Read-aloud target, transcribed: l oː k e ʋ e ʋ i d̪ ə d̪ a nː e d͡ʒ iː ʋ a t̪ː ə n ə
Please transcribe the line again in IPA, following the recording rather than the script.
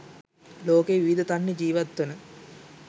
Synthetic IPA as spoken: l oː k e ʋ i ʋ i d̪ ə t̪ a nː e d͡ʒ iː ʋ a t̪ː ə n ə